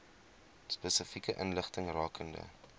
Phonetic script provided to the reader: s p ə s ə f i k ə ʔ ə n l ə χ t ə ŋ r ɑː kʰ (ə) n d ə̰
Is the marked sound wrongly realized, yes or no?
no